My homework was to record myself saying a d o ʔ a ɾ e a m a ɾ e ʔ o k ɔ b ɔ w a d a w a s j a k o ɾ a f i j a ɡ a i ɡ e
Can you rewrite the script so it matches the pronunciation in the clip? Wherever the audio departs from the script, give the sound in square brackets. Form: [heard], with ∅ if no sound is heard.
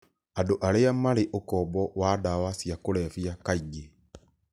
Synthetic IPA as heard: a d o ʔ a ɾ e a m a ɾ e ʔ o k ɔ b ɔ w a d a w a s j a k o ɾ [ɛ] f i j a [k] a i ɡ e